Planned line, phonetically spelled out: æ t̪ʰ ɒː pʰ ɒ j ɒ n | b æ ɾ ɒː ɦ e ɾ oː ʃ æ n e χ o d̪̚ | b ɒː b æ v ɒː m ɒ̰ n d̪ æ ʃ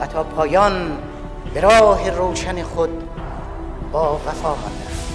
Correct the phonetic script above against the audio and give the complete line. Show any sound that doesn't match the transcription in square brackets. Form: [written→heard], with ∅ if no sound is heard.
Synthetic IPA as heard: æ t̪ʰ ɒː pʰ [ɒ→ɒː] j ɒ n | b [æ→e] ɾ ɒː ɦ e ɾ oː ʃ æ n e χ o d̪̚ | b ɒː [b→v] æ [v→f] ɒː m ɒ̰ n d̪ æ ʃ

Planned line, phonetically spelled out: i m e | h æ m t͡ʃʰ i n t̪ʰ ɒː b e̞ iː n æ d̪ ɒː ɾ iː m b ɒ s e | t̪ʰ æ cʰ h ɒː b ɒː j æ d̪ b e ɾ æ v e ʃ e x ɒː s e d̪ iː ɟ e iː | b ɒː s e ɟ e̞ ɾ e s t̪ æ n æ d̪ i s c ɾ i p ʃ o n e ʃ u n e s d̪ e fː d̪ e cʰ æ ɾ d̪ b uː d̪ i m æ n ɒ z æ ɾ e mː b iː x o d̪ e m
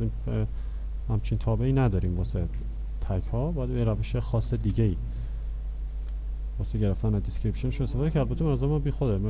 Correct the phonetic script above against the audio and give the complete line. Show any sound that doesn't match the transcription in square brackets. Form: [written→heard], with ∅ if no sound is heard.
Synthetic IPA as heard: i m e | h æ m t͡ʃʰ i n t̪ʰ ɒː b e̞ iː n æ d̪ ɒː ɾ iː m b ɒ s e | t̪ʰ æ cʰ h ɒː b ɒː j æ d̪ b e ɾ æ v e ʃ e x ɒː s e d̪ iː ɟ e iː | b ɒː s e ɟ e̞ ɾ e [s→f] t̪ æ n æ d̪ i s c ɾ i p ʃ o n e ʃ u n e s [d̪→t̪] e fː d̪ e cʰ æ ɾ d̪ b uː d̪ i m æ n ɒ z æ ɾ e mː b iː x o d̪ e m

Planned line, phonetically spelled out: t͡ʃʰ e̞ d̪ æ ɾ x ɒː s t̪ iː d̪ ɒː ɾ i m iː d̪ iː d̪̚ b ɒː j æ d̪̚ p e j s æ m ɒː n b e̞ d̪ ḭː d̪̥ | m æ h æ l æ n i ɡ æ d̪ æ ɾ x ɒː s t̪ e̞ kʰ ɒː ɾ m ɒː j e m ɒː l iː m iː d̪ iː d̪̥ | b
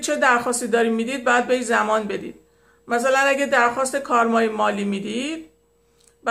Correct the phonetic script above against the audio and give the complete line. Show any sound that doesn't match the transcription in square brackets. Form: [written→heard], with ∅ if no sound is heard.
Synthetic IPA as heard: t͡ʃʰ e̞ d̪ æ ɾ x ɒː s t̪ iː d̪ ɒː ɾ i m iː d̪ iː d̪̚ b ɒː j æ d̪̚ [p→b] e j [s→z] æ m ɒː n b e̞ d̪ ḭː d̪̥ | m æ [h→s] æ l æ n [i→æ] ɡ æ d̪ æ ɾ x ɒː s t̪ e̞ kʰ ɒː ɾ m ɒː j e m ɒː l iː m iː d̪ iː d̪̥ | b

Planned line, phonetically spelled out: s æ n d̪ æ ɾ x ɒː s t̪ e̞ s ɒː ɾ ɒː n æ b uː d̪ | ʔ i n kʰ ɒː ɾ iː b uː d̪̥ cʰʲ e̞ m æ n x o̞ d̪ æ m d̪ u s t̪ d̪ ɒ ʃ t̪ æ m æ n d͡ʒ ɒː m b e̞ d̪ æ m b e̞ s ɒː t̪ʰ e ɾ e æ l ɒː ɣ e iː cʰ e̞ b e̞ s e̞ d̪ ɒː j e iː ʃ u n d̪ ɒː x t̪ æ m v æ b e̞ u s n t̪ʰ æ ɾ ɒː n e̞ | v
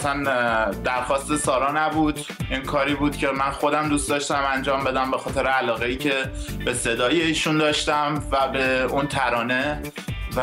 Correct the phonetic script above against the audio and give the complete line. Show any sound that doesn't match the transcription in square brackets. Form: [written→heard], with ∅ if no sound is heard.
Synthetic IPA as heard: s æ n d̪ æ ɾ x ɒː s t̪ e̞ s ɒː ɾ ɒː n æ b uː d̪ | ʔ i n kʰ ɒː ɾ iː b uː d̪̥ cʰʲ e̞ m æ n x o̞ d̪ æ m d̪ u s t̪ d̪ ɒ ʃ t̪ æ m æ n d͡ʒ ɒː m b e̞ d̪ æ m b e̞ [s→x] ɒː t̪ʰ e ɾ e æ l ɒː ɣ e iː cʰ e̞ b e̞ s e̞ d̪ ɒː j e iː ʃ u n d̪ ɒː [x→ʃ] t̪ æ m v æ b e̞ u [s→∅] n t̪ʰ æ ɾ ɒː n e̞ | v

